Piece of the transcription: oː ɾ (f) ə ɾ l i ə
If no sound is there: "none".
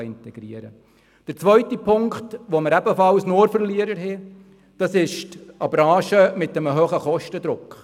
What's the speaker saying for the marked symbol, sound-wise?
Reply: f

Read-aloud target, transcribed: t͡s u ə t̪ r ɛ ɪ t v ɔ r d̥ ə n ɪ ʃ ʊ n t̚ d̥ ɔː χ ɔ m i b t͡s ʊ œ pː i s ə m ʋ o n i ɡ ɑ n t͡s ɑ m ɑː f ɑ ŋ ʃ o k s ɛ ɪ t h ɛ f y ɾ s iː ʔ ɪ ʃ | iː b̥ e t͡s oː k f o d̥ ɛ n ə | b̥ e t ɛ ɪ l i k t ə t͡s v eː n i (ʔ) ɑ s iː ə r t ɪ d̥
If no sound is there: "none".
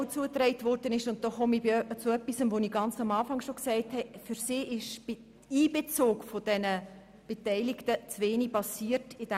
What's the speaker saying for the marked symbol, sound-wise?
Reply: p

